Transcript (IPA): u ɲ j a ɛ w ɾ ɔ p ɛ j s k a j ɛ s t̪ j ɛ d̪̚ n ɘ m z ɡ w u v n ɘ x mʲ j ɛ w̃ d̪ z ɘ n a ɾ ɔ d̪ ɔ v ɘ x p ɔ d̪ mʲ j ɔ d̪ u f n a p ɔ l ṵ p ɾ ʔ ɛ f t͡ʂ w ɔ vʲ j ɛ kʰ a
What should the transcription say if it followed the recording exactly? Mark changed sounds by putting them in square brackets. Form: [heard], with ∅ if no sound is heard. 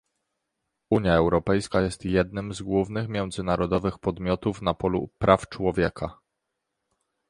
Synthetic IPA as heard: u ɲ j a ɛ w ɾ ɔ p ɛ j s k a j ɛ s t̪ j ɛ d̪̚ n ɘ m z ɡ w u v n ɘ x mʲ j ɛ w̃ d̪ z ɘ n a ɾ ɔ d̪ ɔ v ɘ x p ɔ d̪ mʲ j ɔ [t̪] u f n a p ɔ l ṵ p ɾ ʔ [a] f t͡ʂ w ɔ vʲ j ɛ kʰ a